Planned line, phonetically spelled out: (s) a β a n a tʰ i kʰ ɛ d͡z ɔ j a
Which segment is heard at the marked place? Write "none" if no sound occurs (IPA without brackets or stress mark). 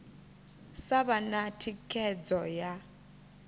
s